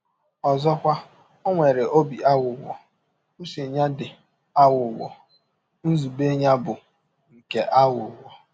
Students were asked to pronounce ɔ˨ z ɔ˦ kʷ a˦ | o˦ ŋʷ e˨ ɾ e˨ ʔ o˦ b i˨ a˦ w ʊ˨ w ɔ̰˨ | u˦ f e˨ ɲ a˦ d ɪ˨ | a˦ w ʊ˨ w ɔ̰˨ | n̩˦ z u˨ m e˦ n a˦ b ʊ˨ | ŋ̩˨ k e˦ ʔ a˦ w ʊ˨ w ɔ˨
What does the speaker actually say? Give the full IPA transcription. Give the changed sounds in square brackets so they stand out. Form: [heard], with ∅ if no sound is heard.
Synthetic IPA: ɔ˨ z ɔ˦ kʷ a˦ | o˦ ŋʷ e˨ ɾ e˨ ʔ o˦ b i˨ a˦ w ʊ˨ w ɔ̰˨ | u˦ [s] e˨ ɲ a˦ d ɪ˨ | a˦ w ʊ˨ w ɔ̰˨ | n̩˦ z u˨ [b] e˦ [ɲ] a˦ b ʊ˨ | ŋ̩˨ k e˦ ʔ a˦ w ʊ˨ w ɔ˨